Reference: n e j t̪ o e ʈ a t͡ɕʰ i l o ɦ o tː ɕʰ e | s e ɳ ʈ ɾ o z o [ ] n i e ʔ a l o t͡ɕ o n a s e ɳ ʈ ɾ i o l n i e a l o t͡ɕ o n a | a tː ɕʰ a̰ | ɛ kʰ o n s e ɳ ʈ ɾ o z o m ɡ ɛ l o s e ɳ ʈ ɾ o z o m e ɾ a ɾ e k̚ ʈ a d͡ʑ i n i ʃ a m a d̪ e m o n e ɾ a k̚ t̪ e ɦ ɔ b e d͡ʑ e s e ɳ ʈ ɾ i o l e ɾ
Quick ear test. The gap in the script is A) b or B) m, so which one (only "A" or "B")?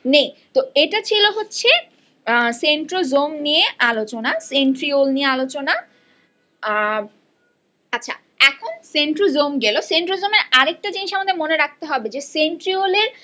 B